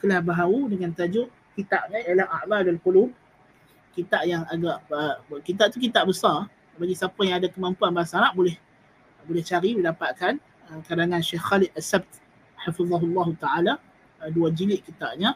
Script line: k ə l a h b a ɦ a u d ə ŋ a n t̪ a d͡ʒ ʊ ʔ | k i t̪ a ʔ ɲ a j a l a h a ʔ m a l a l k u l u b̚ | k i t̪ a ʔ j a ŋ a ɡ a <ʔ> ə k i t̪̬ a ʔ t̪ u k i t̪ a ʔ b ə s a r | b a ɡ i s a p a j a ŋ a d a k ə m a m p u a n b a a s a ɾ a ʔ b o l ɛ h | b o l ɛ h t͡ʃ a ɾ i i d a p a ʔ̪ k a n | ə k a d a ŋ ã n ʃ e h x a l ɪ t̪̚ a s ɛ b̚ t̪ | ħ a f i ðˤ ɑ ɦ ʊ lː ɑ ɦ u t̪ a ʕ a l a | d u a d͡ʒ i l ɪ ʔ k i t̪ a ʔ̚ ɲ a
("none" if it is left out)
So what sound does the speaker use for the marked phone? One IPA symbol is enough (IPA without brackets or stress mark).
ʔ